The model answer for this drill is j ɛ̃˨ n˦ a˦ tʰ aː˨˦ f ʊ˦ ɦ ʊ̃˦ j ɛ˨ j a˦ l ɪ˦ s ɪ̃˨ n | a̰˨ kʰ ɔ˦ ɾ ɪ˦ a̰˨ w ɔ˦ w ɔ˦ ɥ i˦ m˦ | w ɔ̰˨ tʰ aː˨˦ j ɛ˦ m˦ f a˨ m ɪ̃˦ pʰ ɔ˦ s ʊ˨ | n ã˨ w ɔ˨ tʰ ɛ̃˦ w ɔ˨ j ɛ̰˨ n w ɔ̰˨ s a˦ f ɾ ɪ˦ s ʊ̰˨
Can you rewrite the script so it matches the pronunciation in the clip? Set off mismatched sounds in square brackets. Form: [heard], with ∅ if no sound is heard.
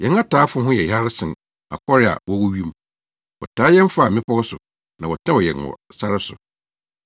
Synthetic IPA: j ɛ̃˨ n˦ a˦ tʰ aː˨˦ f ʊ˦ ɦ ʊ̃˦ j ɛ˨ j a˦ [ɾ] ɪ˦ s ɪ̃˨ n | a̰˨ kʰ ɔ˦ ɾ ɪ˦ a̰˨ w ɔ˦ w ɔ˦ ɥ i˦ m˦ | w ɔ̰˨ tʰ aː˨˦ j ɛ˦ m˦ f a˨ m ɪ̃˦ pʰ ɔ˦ s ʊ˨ | n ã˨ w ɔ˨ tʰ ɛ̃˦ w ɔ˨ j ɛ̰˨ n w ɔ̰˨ s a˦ [∅] ɾ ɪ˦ s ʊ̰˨